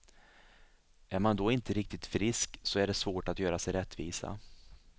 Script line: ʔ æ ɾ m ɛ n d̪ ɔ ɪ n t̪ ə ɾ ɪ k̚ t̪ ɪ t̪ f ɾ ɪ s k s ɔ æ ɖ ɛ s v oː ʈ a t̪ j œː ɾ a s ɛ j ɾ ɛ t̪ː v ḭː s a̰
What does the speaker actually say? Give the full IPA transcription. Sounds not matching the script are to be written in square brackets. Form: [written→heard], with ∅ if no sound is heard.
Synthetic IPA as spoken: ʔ æ ɾ m [ɛ→a] n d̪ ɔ ɪ n t̪ ə ɾ ɪ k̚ t̪ ɪ t̪ f ɾ ɪ s k s ɔ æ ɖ ɛ s v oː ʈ a t̪ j œː ɾ a s ɛ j ɾ ɛ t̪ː v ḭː s a̰